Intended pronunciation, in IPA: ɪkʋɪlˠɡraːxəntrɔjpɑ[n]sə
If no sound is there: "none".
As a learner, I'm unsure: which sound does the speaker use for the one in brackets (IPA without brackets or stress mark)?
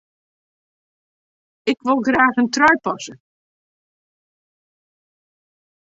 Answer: none